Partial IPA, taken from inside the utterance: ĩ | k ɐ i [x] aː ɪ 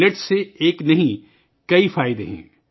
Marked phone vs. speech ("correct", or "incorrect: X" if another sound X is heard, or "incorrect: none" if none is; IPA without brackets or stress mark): incorrect: f